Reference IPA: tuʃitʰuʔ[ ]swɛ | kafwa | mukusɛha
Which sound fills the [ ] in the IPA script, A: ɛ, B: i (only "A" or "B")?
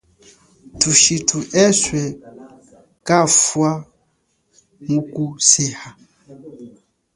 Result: A